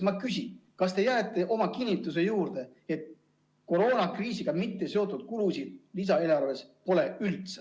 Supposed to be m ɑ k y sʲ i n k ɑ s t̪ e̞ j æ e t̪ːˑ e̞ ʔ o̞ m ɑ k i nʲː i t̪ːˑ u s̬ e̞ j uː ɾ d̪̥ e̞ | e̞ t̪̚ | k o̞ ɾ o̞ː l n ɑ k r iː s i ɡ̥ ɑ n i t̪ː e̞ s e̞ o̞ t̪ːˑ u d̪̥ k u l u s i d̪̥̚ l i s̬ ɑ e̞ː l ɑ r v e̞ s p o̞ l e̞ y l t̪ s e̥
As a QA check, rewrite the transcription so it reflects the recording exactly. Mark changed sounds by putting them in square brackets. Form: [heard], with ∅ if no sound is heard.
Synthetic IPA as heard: m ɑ k y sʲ i n k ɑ s t̪ e̞ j æ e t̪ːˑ e̞ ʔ o̞ m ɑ k i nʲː i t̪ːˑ u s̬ e̞ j uː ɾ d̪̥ e̞ | e̞ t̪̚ | k o̞ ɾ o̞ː [∅] n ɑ k r iː s i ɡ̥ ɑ [m] i t̪ː e̞ s e̞ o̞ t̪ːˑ u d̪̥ k u l u s i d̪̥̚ l i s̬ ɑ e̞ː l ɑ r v e̞ s p o̞ l e̞ y l t̪ s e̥